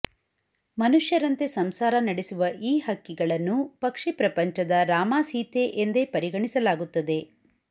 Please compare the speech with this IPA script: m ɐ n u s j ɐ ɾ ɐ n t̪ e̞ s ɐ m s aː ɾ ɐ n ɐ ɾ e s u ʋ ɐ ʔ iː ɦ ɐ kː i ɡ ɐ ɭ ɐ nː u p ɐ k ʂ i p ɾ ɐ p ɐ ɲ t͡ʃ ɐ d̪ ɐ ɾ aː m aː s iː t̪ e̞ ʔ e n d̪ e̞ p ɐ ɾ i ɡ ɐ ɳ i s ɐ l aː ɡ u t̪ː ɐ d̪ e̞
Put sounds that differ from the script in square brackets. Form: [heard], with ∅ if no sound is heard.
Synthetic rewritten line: m ɐ n u [ʂ] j ɐ ɾ ɐ n t̪ e̞ s ɐ m s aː ɾ ɐ n ɐ [ɽ] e s u ʋ ɐ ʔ iː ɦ ɐ kː i ɡ ɐ ɭ ɐ nː u p ɐ k ʂ i p ɾ ɐ p ɐ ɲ t͡ʃ ɐ d̪ ɐ ɾ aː m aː s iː t̪ e̞ ʔ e n d̪ e̞ p ɐ ɾ i ɡ ɐ ɳ i s ɐ l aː ɡ u t̪ː ɐ d̪ e̞

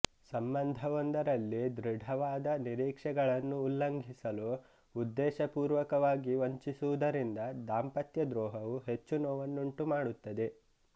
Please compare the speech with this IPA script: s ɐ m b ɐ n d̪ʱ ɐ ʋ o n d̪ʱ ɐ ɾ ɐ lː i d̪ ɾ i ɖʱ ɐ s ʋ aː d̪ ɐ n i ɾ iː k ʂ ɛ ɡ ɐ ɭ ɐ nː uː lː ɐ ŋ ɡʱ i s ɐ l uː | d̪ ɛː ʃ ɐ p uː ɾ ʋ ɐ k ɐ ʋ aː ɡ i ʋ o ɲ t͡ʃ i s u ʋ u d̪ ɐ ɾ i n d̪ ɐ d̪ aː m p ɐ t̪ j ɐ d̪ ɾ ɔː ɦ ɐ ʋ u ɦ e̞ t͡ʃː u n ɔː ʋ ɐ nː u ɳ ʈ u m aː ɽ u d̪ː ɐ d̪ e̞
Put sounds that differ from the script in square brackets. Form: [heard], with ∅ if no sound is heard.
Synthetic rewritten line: s ɐ m b ɐ n d̪ʱ ɐ ʋ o n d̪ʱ ɐ ɾ ɐ lː i d̪ ɾ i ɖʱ ɐ [∅] ʋ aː d̪ ɐ n i ɾ iː k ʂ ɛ ɡ ɐ ɭ ɐ nː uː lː ɐ ŋ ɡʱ i s ɐ l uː | [d̪ː] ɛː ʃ ɐ p uː ɾ ʋ ɐ k ɐ ʋ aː ɡ i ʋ o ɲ t͡ʃ i s u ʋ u d̪ ɐ ɾ i n d̪ ɐ d̪ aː m p ɐ t̪ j ɐ d̪ ɾ ɔː ɦ ɐ ʋ u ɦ e̞ t͡ʃː u n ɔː ʋ ɐ nː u ɳ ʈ u m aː ɽ u [t̪ː] ɐ d̪ e̞

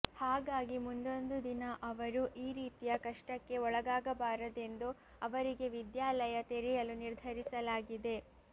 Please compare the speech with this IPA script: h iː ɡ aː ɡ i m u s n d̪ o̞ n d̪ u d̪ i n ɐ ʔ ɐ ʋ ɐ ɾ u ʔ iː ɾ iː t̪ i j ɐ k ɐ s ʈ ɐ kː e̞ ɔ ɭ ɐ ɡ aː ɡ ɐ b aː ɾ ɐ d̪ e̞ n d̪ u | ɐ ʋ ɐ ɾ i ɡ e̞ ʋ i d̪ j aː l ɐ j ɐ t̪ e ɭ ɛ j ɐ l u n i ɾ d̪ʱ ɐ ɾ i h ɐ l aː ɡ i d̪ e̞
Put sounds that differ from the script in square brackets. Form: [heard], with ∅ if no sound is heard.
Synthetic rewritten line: h [aː] ɡ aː ɡ i m u [∅] n d̪ o̞ n d̪ u d̪ i n ɐ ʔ ɐ ʋ ɐ ɾ u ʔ iː ɾ iː t̪ i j ɐ k ɐ [ʂ] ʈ ɐ kː e̞ ɔ ɭ ɐ ɡ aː ɡ ɐ b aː ɾ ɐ d̪ e̞ n d̪ u | ɐ ʋ ɐ ɾ i ɡ e̞ ʋ i d̪ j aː l ɐ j ɐ t̪ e [ɾ] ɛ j ɐ l u n i ɾ d̪ʱ ɐ ɾ i [s] ɐ l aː ɡ i d̪ e̞

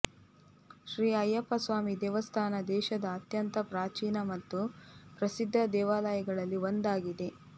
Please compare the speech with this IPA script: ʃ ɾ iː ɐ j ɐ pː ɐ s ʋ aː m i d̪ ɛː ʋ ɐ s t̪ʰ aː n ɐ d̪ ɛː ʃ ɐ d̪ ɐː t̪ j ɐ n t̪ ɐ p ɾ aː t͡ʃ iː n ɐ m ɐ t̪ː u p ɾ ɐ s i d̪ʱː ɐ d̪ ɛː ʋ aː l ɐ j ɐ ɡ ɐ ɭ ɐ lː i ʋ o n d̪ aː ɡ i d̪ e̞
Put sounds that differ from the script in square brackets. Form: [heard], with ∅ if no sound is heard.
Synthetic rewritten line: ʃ ɾ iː ɐ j ɐ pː ɐ s ʋ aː m i d̪ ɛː ʋ ɐ s t̪ʰ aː n ɐ d̪ ɛː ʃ ɐ d̪ ɐː t̪ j ɐ n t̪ ɐ p ɾ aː t͡ʃ iː n ɐ m ɐ t̪ː u p ɾ ɐ s i d̪ʱː ɐ d̪ ɛː ʋ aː l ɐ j ɐ ɡ ɐ ɭ ɐ lː i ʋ o n d̪ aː ɡ i d̪ e̞

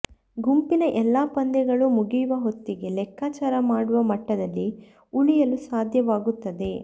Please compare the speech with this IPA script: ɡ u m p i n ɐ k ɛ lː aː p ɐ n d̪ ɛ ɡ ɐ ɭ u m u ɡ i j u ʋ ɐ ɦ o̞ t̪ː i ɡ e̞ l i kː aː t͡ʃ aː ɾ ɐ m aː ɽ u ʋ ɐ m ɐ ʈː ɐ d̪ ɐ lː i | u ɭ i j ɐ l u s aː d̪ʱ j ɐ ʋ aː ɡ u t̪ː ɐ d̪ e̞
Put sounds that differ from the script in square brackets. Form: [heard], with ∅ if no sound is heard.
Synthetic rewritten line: ɡ u m p i n ɐ [ʔ] ɛ lː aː p ɐ n d̪ ɛ ɡ ɐ ɭ u m u ɡ i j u ʋ ɐ ɦ o̞ t̪ː i ɡ e̞ l [ɛ] kː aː t͡ʃ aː ɾ ɐ m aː ɽ u ʋ ɐ m ɐ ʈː ɐ d̪ ɐ lː i | u ɭ i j ɐ l u s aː d̪ʱ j ɐ ʋ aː ɡ u t̪ː ɐ d̪ e̞

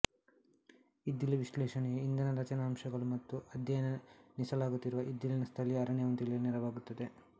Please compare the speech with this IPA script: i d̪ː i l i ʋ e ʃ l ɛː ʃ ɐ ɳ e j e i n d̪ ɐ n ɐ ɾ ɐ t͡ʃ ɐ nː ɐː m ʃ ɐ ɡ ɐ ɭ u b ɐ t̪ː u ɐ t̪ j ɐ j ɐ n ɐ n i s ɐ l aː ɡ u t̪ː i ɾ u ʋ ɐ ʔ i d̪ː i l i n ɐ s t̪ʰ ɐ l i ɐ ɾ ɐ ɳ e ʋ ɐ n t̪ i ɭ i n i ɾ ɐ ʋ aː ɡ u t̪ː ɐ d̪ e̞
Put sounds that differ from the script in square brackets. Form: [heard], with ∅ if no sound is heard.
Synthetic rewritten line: i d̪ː i l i ʋ [i] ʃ l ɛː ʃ ɐ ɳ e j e i n d̪ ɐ n ɐ ɾ ɐ t͡ʃ ɐ [n] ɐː m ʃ ɐ ɡ ɐ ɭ u [m] ɐ t̪ː u ɐ [d̪] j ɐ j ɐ n ɐ n i s ɐ l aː ɡ u t̪ː i ɾ u ʋ ɐ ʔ i d̪ː i l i n ɐ s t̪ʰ ɐ l i ɐ ɾ ɐ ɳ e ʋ ɐ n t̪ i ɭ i n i ɾ ɐ ʋ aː ɡ u t̪ː ɐ d̪ e̞

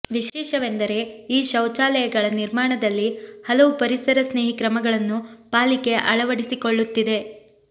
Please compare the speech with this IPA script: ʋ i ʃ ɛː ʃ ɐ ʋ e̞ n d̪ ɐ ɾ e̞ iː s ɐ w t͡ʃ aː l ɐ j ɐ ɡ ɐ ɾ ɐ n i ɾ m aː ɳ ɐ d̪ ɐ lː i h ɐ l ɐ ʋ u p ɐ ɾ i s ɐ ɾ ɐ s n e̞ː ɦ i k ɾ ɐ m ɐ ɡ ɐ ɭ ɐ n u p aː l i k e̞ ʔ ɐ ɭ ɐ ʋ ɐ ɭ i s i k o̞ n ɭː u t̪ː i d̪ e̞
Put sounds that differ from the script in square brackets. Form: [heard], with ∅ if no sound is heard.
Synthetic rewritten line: ʋ i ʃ ɛː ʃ ɐ ʋ e̞ n d̪ ɐ ɾ e̞ iː [ʃ] ɐ w t͡ʃ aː l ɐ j ɐ ɡ ɐ [ɭ] ɐ n i ɾ m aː ɳ ɐ d̪ ɐ lː i h ɐ l ɐ ʋ u p ɐ ɾ i s ɐ ɾ ɐ s n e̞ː ɦ i k ɾ ɐ m ɐ ɡ ɐ ɭ ɐ [nː] u p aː l i k e̞ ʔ ɐ ɭ ɐ ʋ ɐ [ɽ] i s i k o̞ [∅] ɭː u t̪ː i d̪ e̞

